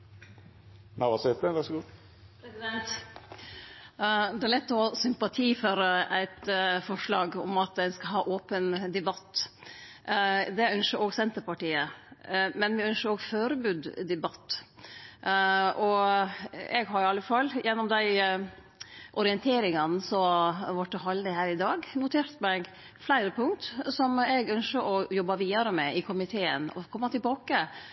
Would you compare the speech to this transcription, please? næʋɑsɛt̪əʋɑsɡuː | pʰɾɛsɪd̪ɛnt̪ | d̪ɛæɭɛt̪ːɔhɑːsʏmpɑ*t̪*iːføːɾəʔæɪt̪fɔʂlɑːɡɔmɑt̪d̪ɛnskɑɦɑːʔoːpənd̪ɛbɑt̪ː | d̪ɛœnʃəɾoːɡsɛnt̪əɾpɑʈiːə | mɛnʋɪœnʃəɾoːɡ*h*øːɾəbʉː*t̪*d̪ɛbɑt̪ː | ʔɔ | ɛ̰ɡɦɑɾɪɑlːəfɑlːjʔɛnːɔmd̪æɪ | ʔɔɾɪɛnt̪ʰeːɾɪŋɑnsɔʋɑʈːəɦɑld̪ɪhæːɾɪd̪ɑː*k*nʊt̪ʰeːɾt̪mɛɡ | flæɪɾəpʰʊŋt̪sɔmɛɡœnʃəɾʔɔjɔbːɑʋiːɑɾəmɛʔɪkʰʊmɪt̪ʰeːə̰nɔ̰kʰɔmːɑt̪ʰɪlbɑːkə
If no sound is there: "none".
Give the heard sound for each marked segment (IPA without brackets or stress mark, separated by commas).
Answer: t̪ʰ, f, d̪, ɡ